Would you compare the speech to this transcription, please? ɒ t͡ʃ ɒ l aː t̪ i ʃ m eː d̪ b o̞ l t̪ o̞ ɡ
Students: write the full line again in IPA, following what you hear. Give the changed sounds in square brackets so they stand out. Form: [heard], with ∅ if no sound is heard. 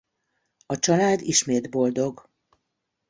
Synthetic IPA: ɒ t͡ʃ ɒ l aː [d̪] i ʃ m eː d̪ b o̞ l [d̪] o̞ ɡ